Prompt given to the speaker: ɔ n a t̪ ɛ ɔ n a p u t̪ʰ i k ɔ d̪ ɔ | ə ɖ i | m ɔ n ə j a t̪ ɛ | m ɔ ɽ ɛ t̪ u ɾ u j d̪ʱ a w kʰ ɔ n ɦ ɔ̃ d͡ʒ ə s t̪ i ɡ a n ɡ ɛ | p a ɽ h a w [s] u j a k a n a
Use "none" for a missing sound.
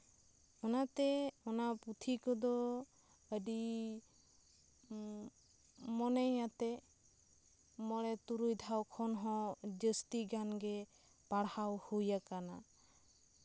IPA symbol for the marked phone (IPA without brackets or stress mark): h